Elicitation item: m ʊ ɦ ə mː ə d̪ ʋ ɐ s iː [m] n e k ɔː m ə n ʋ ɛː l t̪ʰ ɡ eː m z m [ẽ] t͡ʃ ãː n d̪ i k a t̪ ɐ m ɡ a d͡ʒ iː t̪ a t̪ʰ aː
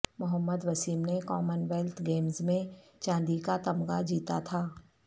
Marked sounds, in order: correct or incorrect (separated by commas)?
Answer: correct, correct